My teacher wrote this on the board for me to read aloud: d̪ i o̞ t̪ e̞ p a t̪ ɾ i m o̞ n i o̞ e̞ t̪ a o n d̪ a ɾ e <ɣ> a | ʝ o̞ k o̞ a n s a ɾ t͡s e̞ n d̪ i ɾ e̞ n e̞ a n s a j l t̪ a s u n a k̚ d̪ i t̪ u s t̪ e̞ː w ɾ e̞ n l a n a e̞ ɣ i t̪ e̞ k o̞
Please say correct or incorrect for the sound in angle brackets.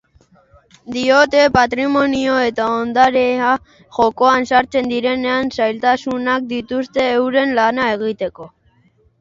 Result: incorrect